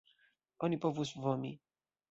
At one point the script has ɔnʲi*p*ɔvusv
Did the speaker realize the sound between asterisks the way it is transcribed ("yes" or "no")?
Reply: yes